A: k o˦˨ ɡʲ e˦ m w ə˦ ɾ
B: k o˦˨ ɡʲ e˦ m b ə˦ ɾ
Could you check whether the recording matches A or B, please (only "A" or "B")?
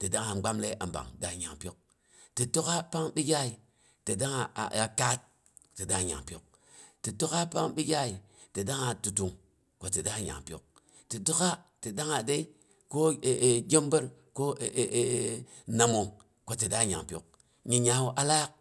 B